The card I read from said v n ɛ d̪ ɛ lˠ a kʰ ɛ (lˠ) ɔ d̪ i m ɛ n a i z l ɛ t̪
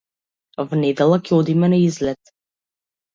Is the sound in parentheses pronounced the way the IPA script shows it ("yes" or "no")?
no